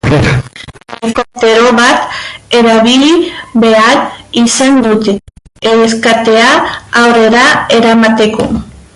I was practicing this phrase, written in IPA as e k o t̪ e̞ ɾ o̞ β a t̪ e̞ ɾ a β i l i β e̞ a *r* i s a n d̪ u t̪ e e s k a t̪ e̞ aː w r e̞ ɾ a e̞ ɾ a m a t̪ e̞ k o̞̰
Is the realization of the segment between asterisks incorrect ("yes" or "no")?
yes